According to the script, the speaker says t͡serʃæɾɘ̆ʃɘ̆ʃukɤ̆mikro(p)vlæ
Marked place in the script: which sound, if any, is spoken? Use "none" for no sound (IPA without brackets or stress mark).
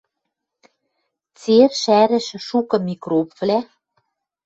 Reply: p